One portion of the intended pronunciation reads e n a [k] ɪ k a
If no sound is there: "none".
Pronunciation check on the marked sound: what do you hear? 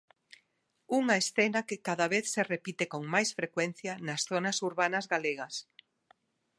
k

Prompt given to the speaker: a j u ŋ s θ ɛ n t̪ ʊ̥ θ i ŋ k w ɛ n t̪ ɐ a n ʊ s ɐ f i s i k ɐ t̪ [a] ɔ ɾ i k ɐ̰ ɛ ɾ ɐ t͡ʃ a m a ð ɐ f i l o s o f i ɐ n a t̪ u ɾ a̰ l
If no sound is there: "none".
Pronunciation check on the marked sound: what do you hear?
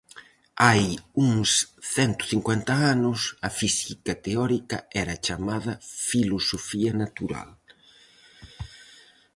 e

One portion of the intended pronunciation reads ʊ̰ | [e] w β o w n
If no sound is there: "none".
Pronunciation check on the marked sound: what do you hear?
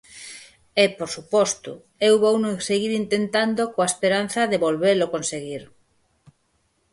e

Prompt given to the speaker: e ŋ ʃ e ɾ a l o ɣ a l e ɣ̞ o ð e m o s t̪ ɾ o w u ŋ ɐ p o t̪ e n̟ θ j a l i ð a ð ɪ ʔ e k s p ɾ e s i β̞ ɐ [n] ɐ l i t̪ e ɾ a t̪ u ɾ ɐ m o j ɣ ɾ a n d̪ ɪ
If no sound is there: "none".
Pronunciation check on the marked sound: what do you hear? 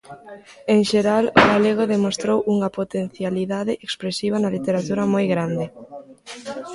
n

